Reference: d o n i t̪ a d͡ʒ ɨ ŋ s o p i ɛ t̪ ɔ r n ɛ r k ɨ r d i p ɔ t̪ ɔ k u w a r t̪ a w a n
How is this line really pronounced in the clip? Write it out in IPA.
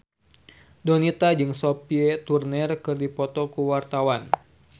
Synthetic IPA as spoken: d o n i t̪ a d͡ʒ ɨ ŋ s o p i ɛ t̪ u r n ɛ r k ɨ r d i p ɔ t̪ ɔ k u w a r t̪ a w a n